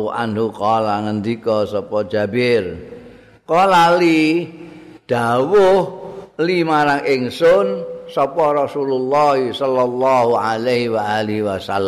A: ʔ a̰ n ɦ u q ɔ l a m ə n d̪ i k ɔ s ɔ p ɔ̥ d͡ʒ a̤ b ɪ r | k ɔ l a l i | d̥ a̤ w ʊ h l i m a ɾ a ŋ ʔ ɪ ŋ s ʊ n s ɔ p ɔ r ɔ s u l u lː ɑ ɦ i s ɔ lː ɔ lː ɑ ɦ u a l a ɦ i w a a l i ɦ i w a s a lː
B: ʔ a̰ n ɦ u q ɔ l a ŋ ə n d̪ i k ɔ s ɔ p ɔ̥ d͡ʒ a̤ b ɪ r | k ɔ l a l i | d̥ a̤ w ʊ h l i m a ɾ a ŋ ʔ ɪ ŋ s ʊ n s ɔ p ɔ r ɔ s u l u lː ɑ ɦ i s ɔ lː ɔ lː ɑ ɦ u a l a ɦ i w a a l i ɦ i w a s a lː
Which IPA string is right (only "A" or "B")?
B